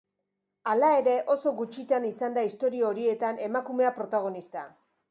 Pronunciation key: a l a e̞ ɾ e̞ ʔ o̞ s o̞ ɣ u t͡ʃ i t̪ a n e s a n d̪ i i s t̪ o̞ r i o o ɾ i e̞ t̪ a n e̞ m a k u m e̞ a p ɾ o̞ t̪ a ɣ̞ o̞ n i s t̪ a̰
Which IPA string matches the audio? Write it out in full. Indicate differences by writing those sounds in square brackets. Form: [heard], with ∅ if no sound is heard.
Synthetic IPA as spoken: a l a e̞ ɾ e̞ ʔ o̞ s o̞ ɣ u t͡ʃ i t̪ a n [i] s a n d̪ [a] i s t̪ o̞ [ɾ] i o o ɾ i e̞ t̪ a n e̞ m a k u m e̞ a p ɾ o̞ t̪ a ɣ̞ o̞ n i s t̪ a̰